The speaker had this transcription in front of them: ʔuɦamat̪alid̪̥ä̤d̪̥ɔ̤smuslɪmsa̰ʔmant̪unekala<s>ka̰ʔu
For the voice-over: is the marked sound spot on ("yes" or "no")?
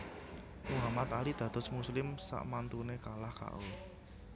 no